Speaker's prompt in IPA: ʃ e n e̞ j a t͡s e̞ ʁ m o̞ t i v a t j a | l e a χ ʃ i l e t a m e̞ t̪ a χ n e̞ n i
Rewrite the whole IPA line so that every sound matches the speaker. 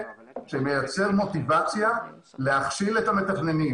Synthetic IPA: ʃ e m e̞ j a t͡s e̞ ʁ m o̞ t i v a t͡s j a | l e a χ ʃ i l e t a m e̞ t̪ a χ n e̞ n i